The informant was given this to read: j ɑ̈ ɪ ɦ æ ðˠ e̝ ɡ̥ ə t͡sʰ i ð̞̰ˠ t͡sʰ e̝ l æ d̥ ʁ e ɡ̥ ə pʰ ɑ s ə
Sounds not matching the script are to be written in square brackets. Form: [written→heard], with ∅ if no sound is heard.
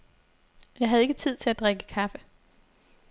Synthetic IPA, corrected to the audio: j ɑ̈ ɪ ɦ æ ðˠ e̝ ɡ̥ ə t͡sʰ i ð̞̰ˠ t͡sʰ e̝ l æ d̥ ʁ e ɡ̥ ə [pʰ→kʰ] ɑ [s→f] ə